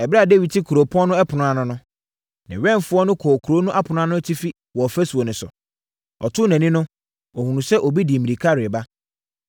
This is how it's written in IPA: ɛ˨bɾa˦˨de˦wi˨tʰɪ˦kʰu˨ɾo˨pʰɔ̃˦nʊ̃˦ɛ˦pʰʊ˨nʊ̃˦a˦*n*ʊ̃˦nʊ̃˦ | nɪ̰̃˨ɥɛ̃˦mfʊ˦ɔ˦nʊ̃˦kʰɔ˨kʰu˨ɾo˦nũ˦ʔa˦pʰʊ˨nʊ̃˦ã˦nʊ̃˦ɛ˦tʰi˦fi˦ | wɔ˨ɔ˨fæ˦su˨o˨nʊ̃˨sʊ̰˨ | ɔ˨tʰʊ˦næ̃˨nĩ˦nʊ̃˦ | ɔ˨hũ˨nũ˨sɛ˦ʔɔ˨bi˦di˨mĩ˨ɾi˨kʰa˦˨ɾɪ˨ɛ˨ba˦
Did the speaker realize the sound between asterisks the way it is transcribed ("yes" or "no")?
yes